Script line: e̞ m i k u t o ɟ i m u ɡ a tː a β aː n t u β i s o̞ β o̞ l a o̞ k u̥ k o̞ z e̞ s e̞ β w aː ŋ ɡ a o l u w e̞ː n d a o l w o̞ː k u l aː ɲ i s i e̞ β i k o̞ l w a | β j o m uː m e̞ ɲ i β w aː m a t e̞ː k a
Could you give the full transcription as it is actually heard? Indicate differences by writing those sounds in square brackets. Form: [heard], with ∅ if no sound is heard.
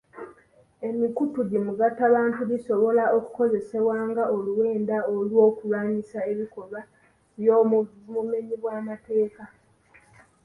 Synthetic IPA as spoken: e̞ m i k u t [u] ɟ i m u ɡ a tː a β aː n t u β i s o̞ β o̞ l a o̞ k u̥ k o̞ z e̞ s e̞ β w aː ŋ ɡ a o l u w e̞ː n d a o l w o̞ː k u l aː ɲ i s [a] e̞ β i k o̞ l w a | β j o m [u] m e̞ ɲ i β w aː m a t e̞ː k a